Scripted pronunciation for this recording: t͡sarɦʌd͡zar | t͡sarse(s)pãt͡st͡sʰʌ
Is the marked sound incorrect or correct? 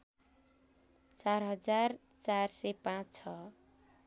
incorrect